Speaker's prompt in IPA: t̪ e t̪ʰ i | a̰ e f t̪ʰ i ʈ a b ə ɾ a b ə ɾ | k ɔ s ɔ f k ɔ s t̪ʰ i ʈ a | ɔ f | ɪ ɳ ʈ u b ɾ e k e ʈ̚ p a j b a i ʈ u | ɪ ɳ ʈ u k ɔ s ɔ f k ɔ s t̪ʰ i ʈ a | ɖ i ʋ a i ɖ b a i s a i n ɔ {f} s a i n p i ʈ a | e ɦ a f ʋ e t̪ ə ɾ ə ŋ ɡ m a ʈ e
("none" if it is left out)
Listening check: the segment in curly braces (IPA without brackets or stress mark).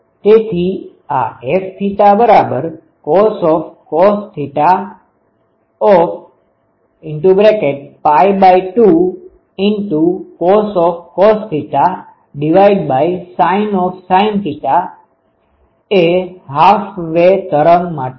f